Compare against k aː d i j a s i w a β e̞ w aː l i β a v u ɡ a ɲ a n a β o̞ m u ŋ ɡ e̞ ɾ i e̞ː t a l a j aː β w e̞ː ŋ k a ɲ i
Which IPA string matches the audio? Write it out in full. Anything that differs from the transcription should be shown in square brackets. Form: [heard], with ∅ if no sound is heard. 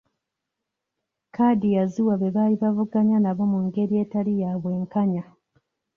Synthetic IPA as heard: k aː d i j a [z] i w a β e̞ [β] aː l i β a v u ɡ a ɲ a n a β o̞ m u ŋ ɡ e̞ ɾ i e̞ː t a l [i] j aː β w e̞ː ŋ k a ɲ [a]